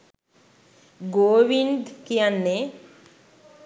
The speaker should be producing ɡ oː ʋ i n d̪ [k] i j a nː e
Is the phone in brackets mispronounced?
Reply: no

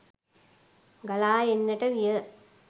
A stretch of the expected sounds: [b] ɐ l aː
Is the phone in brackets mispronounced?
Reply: yes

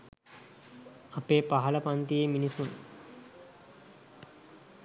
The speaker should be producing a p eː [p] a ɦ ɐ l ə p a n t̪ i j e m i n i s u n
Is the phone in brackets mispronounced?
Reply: no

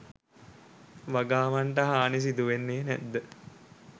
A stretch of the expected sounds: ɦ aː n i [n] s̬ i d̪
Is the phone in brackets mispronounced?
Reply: yes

